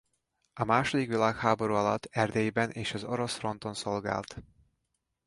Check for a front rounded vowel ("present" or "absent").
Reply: absent